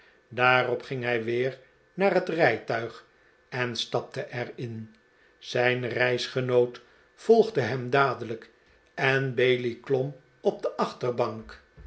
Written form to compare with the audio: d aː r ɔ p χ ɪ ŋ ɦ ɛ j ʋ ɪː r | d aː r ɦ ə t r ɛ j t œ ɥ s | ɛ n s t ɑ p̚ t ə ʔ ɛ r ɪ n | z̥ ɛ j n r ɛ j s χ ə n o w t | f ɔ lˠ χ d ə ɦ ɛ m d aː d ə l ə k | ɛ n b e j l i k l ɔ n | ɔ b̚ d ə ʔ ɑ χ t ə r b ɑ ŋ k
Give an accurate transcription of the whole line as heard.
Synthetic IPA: d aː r ɔ p χ ɪ ŋ ɦ ɛ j ʋ ɪː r | n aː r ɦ ə t r ɛ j t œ ɥ χ | ɛ n s t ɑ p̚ t ə ʔ ɛ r ɪ n | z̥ ɛ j n r ɛ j s χ ə n o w t | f ɔ lˠ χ d ə ɦ ɛ m d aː d ə l ə k | ɛ n b e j l i k l ɔ m | ɔ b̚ d ə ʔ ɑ χ t ə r b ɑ ŋ k

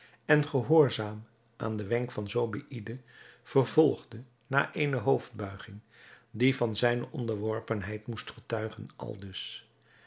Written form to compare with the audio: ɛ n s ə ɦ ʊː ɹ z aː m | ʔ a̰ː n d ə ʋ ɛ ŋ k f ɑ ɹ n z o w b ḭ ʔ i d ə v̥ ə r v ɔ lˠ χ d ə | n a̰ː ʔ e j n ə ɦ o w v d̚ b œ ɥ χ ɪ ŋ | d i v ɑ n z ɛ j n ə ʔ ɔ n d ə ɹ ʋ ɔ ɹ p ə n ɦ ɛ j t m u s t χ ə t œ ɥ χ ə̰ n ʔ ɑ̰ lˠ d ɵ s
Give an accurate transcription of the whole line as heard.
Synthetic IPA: ɛ n χ ə ɦ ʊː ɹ z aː m | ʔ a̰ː n d ə ʋ ɛ ŋ k f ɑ n z o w b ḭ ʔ i d ə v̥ ə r v ɔ lˠ χ d ə | n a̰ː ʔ e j n ə ɦ o w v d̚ b œ ɥ χ ɪ ŋ | d i v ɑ n z ɛ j n ə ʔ ɔ n d ə ɹ ʋ ɔ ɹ p ə n ɦ ɛ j t m u s t χ ə t œ ɥ χ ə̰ n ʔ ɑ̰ lˠ d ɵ s

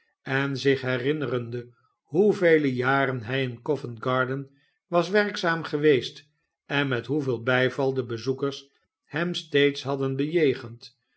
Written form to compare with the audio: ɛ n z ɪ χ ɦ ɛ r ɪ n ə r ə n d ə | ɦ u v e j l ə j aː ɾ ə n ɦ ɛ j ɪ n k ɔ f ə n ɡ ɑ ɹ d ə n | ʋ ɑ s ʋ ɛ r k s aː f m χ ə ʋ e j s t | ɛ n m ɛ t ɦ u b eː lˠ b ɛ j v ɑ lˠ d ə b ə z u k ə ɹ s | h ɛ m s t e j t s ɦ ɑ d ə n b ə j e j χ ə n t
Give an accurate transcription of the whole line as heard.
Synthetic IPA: ɛ n z ɪ χ ɦ ɛ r ɪ n ə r ə n d ə | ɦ u v e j l ə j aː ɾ ə n ɦ ɛ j ɪ n k ɔ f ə n ɡ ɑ ɹ d ə n | ʋ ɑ s ʋ ɛ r k s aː m χ ə ʋ e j s t | ɛ n m ɛ t ɦ u v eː lˠ b ɛ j v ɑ lˠ d ə b ə z u k ə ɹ s | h ɛ m s t e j t s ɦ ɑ d ə n b ə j e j χ ə n t

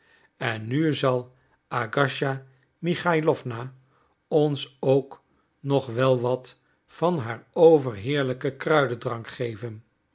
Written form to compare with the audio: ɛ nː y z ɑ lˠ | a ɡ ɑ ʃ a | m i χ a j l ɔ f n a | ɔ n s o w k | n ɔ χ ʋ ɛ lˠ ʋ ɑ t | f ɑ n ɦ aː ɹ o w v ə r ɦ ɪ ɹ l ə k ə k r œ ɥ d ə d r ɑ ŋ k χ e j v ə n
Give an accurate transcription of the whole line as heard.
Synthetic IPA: ɛ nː y z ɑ lˠ | a ɡ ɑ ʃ a | m i χ a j l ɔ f n a | ɔ n s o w k | n ɔ χ ʋ ɛ lˠ ʋ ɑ t | f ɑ n ɦ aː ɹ o w v ə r ɦ ɪː ɹ l ə k ə k r œ ɥ d ə d r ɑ ŋ k χ e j v ə n

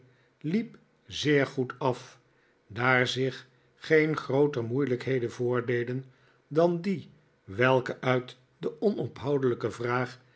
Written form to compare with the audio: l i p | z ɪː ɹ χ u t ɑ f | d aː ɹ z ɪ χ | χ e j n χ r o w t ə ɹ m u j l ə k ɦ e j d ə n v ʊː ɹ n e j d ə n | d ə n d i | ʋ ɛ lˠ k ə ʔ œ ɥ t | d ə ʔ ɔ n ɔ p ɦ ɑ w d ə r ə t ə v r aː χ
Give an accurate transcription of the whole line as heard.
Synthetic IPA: l i p | z ɪː ɹ χ u t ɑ f | d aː ɹ z ɪ χ | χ e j n χ r o w t ə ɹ m u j l ə k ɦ e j d ə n v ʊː ɹ d e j d ə n | d ɑ n d i | ʋ ɛ lˠ k ə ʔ œ ɥ t | d ə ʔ ɔ n ɔ p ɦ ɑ w d ə l ə k ə v r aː χ

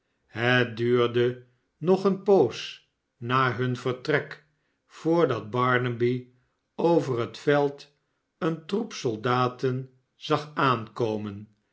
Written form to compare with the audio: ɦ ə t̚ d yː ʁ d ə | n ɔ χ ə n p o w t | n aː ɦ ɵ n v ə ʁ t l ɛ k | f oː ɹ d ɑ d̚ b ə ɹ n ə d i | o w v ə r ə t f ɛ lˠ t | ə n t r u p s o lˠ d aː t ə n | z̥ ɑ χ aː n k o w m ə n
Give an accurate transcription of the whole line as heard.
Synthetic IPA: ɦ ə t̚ d yː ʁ d ə | n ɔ χ ə n p o w s | n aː ɦ ɵ n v ə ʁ t r ɛ k | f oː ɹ d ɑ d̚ b ɑ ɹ n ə b i | o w v ə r ə t f ɛ lˠ t | ə n t r u p s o lˠ d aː t ə n | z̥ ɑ χ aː n k o w m ə n

